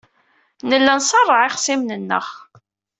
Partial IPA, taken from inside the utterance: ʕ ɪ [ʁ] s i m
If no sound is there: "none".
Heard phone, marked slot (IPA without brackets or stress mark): χ